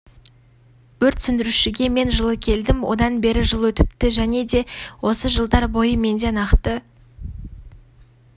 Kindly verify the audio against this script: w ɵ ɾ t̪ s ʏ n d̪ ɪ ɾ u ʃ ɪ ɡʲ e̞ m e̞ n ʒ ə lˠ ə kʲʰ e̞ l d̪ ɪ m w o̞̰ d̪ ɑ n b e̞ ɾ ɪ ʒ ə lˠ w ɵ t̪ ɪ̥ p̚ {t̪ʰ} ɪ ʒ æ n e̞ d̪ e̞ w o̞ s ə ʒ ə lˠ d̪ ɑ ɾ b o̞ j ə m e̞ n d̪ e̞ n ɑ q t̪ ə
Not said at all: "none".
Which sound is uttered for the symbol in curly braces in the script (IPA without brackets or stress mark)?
t̪